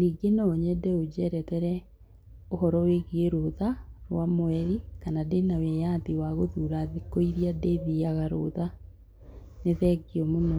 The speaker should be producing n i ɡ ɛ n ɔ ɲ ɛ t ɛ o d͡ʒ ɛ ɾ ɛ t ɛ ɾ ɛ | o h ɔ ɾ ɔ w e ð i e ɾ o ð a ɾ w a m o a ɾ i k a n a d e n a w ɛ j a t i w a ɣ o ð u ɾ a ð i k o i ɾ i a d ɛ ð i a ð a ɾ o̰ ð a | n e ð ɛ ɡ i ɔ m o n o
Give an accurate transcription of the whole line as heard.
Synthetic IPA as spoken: n i ɡ e n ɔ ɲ ɛ d ɛ o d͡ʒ ɛ ɾ ɛ t ɛ ɾ ɛ | o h ɔ ɾ ɔ w e ɣ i e ɾ o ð a ɾ w a m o ɛ ɾ i k a n a d e n a w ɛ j a t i w a ɣ o ð u ɾ a ð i k o i ɾ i a d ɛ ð i a ɣ a ɾ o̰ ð a | n e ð ɛ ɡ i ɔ m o n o